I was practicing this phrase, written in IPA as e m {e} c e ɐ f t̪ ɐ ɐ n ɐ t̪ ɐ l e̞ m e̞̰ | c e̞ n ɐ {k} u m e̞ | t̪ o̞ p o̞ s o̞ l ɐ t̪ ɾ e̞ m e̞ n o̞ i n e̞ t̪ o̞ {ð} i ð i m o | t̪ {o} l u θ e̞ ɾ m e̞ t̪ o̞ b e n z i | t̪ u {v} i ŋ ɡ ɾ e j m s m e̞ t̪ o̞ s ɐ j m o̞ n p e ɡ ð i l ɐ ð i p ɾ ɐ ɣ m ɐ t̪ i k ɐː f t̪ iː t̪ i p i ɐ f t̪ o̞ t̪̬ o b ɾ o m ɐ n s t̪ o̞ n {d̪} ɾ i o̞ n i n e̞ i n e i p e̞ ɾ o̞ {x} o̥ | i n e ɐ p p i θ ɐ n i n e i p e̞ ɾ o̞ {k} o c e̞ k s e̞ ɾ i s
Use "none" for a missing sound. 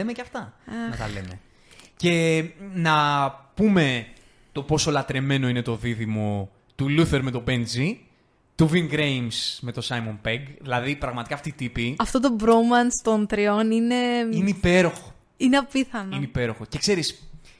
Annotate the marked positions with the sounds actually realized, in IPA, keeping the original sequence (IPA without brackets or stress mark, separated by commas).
e, p, ð, u, v, t̪, x, x